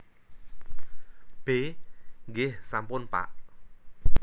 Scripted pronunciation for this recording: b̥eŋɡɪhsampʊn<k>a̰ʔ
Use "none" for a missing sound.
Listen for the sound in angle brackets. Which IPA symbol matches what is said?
p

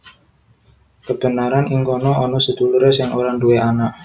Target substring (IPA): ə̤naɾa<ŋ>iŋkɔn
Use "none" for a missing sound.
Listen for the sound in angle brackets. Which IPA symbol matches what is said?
n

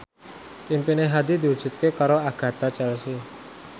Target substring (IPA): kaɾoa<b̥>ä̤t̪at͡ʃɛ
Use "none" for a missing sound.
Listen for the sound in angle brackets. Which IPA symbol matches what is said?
ɡ̥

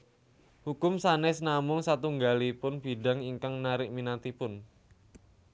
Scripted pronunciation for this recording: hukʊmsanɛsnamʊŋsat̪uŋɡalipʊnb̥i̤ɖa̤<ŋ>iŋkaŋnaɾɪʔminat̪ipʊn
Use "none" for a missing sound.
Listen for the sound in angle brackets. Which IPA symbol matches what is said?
ŋ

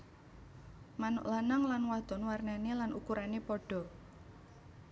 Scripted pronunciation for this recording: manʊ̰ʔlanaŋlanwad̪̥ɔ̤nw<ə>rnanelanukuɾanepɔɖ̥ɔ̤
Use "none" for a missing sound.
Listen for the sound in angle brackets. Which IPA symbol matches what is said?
a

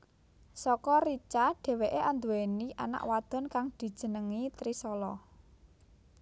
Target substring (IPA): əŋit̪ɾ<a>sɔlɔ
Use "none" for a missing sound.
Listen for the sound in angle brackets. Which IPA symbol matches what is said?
i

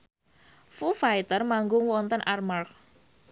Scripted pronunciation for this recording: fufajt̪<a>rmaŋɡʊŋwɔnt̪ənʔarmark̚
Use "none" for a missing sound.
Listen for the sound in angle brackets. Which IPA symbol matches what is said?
ə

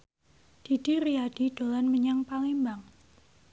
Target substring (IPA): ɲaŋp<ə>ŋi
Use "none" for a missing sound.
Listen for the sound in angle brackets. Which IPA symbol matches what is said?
a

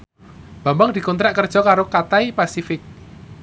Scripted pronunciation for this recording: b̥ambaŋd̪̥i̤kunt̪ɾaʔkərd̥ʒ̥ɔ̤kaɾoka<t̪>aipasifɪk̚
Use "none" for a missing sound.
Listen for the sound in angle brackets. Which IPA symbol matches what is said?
t̪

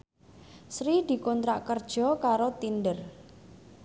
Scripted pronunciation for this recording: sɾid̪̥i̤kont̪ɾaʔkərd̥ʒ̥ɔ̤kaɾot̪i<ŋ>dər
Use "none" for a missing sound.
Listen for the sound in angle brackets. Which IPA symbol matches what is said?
n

